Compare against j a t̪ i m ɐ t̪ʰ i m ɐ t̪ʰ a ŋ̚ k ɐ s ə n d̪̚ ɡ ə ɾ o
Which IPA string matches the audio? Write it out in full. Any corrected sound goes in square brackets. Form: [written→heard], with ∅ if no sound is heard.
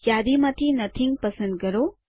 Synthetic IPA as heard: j a [t̪→d̪] i m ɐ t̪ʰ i [m→n] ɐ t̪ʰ [a→i] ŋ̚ [k→p] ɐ s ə n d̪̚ ɡ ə ɾ o